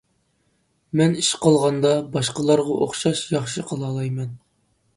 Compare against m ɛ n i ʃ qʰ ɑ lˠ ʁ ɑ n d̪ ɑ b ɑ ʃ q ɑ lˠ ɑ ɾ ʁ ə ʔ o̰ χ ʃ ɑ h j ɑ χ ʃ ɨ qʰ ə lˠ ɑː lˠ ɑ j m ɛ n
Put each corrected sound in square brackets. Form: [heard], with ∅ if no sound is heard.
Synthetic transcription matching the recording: m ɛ n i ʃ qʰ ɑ lˠ ʁ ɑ n d̪ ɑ b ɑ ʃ q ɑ lˠ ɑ ɾ ʁ [ɑ] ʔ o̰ χ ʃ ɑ [ʃ] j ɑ χ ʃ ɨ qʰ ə lˠ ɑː lˠ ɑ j m ɛ n